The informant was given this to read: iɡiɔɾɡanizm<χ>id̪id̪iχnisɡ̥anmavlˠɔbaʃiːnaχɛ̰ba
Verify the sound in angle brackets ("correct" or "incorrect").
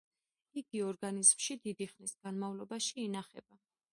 incorrect